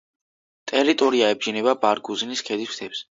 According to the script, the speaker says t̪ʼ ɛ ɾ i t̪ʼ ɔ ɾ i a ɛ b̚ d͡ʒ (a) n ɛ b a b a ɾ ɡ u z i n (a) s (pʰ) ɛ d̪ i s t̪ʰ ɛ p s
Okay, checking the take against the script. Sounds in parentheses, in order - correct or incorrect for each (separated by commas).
incorrect, incorrect, incorrect